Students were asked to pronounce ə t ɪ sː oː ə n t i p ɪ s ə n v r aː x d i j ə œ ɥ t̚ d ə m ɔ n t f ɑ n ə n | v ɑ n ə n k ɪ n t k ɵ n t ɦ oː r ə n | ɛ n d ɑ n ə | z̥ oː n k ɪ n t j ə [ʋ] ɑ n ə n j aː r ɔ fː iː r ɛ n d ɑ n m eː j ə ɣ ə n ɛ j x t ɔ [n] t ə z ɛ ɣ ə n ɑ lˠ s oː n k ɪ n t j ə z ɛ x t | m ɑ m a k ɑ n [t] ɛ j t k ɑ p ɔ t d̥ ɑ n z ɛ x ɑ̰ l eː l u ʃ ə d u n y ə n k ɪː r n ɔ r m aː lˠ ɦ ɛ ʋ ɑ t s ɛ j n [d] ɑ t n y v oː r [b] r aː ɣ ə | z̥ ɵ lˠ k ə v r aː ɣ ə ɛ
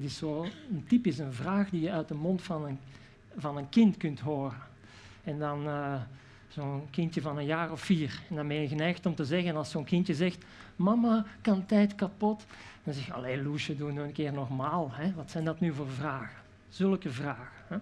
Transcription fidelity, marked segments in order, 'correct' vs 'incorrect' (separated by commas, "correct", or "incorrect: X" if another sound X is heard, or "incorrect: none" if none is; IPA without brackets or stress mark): incorrect: v, incorrect: m, correct, correct, incorrect: v